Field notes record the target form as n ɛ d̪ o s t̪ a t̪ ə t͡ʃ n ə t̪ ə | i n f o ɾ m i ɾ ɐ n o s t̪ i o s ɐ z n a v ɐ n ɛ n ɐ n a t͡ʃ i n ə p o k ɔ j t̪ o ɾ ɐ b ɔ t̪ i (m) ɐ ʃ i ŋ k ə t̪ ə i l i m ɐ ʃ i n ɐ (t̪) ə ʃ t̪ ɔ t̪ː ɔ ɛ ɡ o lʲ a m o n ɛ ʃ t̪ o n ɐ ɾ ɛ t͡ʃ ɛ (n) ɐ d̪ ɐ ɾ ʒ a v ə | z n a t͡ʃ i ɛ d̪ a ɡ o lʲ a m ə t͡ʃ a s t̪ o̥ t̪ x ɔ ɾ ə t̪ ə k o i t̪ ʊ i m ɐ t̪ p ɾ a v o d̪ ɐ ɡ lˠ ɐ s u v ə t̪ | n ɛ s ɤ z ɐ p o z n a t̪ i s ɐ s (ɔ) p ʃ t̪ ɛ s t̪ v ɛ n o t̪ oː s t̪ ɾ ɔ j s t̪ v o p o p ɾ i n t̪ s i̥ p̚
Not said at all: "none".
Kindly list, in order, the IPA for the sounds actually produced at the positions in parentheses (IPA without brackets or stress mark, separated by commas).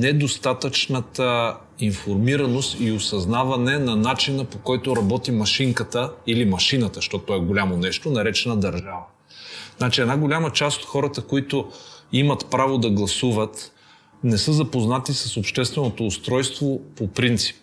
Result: m, t̪, n, o